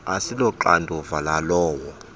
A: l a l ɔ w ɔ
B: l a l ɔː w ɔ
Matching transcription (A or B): B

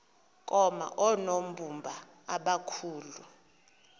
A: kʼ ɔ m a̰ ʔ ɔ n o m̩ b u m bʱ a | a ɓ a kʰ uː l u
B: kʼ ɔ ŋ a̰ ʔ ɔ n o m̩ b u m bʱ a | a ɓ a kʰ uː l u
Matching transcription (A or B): A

